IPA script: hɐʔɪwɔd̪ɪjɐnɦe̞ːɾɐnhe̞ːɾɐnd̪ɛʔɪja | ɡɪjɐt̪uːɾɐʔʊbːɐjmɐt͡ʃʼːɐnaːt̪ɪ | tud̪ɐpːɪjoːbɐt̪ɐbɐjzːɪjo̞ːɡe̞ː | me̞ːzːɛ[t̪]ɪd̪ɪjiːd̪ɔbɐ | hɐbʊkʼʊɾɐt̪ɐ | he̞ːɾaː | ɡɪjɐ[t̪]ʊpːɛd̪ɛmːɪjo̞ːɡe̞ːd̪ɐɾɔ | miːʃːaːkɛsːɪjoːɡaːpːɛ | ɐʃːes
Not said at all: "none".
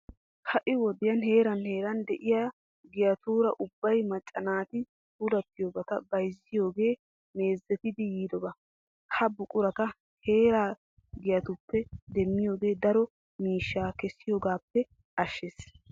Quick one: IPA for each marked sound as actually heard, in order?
t̪, t̪

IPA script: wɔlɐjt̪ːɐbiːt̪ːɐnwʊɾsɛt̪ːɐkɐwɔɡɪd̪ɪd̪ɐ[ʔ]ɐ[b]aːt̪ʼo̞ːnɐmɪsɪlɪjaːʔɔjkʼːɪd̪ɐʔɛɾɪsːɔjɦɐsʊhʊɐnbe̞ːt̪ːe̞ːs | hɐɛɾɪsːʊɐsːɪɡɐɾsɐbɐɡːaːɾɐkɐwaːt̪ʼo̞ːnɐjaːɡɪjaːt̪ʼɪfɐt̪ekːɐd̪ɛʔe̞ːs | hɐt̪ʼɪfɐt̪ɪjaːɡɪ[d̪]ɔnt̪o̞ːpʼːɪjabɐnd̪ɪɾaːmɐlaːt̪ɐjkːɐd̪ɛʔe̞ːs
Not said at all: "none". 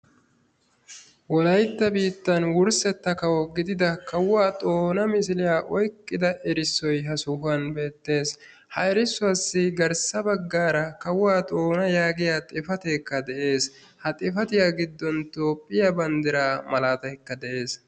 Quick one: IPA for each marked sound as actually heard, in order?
k, w, d̪ː

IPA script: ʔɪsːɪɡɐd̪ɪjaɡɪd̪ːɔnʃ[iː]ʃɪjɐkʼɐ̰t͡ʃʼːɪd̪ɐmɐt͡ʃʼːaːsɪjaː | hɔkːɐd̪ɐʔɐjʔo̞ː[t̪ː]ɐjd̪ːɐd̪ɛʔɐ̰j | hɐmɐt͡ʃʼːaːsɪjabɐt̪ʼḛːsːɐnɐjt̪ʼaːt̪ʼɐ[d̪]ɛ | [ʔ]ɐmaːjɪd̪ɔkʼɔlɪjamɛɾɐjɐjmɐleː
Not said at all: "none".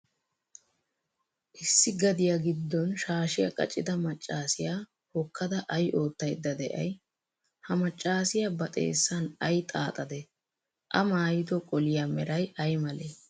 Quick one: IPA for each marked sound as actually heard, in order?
aː, t̪ː, d̪, ʔ

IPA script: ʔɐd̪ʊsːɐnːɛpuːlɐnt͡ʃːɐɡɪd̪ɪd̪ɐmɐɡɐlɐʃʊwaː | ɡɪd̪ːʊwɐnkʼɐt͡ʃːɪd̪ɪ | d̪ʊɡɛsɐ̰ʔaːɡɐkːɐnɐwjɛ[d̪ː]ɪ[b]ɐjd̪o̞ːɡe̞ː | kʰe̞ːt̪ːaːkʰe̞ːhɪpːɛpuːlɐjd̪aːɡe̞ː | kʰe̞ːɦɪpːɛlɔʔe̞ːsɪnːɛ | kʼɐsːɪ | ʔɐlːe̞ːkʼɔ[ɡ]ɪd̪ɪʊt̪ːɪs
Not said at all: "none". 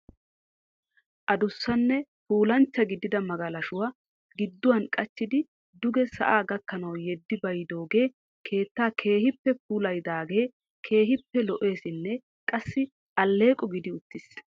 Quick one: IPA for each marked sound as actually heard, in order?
d̪ː, b, ɡ

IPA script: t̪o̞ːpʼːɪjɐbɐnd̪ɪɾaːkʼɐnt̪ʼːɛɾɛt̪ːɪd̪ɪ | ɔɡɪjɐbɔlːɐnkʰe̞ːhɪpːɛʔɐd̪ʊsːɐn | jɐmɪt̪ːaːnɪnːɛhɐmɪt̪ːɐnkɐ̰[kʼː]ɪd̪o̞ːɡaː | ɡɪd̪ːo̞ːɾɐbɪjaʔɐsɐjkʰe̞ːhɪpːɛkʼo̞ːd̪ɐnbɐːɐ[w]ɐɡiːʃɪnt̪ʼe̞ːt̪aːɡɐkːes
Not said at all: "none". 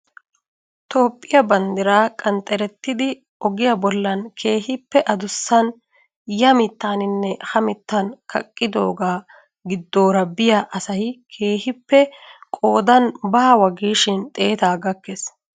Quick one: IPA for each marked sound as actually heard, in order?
kʼː, w

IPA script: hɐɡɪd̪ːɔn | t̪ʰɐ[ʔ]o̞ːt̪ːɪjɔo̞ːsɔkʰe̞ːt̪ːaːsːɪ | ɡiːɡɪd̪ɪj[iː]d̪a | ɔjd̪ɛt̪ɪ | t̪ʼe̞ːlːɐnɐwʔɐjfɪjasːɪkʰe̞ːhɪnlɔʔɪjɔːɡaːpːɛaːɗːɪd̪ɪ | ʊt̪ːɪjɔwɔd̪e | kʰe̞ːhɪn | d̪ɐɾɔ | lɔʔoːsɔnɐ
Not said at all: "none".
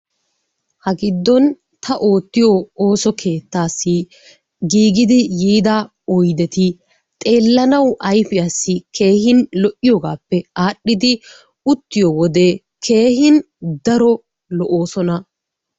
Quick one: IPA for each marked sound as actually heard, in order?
ʔ, iː

